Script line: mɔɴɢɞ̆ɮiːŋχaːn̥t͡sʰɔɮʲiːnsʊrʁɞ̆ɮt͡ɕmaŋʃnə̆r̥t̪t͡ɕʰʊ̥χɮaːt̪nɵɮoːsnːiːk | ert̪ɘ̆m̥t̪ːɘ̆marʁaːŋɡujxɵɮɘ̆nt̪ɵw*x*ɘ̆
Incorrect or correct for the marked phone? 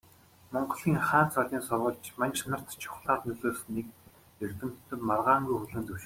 incorrect: ʃ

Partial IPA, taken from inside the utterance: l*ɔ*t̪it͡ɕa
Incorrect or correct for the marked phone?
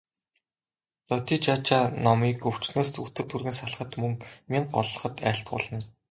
correct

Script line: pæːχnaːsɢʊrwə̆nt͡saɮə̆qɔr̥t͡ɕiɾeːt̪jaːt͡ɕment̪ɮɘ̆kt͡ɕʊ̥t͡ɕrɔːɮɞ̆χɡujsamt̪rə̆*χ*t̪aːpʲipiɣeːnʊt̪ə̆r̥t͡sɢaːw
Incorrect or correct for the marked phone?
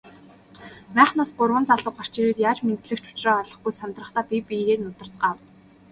correct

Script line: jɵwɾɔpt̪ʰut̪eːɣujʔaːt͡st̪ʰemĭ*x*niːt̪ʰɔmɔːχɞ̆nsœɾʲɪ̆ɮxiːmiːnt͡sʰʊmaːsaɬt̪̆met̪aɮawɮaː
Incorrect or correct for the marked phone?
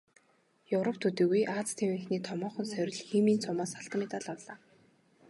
correct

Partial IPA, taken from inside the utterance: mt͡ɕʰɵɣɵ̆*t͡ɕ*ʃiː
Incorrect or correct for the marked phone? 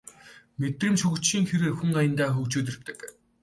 correct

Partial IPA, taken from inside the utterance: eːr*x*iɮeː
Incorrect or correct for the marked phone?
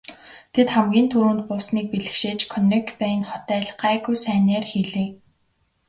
correct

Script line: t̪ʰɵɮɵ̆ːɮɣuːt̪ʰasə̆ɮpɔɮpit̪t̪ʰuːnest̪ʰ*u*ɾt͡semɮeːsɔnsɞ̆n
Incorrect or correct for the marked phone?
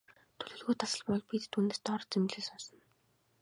incorrect: ɔ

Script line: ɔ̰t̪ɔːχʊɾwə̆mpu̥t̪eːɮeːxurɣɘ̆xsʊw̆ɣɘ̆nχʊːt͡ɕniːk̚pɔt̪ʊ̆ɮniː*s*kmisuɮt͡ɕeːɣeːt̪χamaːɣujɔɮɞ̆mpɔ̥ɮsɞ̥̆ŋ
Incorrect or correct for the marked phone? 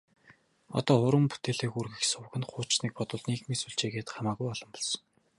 incorrect: none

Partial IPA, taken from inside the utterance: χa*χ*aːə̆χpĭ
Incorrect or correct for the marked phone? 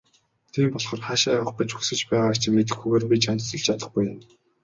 incorrect: ʃ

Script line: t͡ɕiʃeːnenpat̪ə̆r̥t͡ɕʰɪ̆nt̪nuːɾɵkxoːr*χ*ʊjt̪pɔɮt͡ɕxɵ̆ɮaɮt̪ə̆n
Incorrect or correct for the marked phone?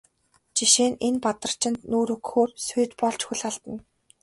incorrect: s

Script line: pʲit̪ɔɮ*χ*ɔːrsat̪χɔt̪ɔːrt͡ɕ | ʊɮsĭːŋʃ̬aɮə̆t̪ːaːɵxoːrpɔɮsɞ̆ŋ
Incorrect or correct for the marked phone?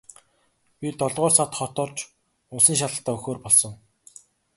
incorrect: ʁ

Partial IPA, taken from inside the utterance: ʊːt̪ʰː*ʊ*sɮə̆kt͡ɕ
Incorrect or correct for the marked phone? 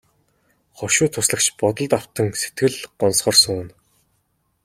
correct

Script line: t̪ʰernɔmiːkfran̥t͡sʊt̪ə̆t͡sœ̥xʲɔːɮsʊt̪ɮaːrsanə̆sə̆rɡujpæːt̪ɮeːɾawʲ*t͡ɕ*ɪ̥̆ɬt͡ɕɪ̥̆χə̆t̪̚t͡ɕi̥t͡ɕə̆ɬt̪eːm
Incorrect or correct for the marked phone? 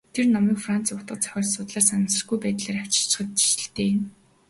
correct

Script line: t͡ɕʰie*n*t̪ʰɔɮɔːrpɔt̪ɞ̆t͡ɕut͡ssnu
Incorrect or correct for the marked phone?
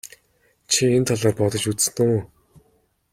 correct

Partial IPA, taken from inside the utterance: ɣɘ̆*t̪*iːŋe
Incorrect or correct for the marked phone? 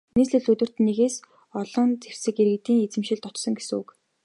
correct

